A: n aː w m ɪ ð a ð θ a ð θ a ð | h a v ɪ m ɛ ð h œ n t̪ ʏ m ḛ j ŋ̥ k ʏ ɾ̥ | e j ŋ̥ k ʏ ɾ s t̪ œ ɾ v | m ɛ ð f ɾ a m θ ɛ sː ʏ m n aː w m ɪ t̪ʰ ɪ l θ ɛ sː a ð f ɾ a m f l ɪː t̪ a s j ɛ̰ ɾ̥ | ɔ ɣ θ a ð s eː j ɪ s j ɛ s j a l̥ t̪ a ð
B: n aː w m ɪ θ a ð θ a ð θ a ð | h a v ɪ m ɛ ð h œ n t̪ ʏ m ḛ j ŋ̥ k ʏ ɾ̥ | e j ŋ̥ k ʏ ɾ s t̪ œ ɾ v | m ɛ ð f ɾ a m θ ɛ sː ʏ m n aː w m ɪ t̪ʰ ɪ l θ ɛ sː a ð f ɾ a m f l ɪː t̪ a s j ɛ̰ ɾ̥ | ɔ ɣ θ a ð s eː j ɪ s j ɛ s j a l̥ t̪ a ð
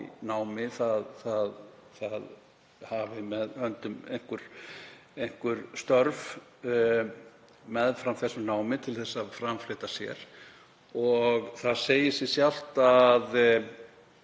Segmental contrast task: B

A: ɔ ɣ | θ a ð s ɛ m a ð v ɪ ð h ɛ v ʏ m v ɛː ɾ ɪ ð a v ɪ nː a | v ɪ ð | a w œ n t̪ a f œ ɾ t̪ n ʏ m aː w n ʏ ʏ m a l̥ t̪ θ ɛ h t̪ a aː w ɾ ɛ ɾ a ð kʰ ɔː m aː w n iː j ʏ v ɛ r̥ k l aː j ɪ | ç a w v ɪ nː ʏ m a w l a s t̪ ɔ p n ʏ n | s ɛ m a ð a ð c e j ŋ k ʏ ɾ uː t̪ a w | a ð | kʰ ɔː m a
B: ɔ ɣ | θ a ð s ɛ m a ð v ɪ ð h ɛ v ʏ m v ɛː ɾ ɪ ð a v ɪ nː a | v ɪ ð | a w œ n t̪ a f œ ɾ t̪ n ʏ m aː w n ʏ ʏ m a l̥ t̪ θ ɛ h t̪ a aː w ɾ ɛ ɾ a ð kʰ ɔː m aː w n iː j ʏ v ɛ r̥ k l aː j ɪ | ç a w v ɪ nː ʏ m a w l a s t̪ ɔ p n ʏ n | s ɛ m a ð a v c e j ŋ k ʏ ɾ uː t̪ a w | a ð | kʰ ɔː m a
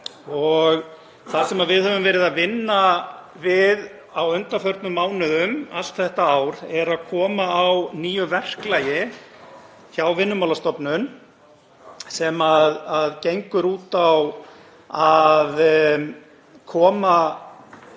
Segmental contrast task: A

